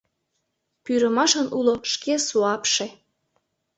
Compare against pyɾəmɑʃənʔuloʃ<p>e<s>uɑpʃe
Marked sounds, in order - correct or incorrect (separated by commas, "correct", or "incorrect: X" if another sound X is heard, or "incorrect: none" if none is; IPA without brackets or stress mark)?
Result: incorrect: k, correct